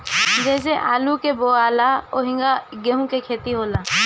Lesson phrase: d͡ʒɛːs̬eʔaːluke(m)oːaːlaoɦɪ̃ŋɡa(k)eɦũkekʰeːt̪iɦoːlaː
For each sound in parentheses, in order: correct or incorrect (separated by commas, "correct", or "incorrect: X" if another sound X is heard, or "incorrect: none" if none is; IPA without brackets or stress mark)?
incorrect: b, incorrect: ɡ